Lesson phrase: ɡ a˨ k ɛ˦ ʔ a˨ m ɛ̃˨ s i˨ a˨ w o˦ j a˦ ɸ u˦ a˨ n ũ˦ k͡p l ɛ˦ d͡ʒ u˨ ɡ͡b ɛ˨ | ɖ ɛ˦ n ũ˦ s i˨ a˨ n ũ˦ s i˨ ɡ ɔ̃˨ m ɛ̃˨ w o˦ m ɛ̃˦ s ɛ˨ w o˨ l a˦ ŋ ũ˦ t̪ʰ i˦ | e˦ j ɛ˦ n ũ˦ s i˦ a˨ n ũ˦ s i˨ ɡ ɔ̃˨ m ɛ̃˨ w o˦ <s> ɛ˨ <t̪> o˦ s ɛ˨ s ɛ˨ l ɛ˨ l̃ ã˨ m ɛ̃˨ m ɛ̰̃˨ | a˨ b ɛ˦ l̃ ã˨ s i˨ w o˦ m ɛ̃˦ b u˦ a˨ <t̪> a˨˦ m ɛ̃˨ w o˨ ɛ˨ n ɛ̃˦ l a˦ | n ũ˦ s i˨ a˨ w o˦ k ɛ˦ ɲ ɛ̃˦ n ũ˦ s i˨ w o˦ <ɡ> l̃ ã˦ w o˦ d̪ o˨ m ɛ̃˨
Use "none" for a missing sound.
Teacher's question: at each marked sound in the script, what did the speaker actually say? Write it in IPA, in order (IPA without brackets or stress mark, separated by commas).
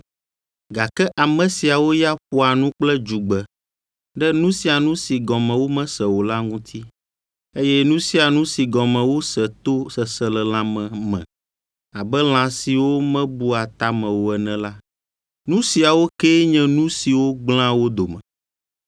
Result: s, t̪, t̪, ɡ͡b